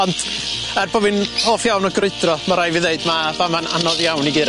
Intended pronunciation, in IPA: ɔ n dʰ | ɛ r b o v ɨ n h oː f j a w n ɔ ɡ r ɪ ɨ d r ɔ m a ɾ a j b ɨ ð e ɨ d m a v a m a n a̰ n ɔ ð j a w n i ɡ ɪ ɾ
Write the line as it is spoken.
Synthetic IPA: ɔ n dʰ | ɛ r b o v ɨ n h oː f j a w n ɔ ɡ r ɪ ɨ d r ɔ m a ɾ a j v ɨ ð e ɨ d m a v a m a n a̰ n ɔ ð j a w n i ɡ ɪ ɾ